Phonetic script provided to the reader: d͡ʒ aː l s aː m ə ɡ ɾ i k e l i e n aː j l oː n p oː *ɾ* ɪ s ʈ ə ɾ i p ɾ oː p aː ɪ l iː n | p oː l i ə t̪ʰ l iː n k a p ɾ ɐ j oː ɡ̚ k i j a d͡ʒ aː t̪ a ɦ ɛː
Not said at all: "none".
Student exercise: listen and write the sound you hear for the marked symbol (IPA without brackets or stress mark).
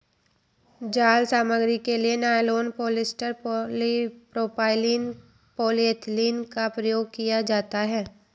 l